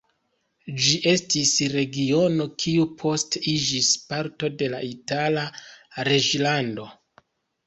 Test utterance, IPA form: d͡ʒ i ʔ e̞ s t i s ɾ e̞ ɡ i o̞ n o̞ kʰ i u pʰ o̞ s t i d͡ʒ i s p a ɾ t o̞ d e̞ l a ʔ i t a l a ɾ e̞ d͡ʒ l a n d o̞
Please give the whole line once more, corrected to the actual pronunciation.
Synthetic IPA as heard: d͡ʒ i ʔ e̞ s t i s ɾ e̞ ɡ i o̞ n o̞ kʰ i u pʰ o̞ s t i d͡ʒ i s p a ɾ t o̞ d e̞ l a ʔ i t a l a ɾ e̞ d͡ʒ l a n d o̞